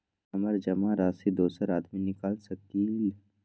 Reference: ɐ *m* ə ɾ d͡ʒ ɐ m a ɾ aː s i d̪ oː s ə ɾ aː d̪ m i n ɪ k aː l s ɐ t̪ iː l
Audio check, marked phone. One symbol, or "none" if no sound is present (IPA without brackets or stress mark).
m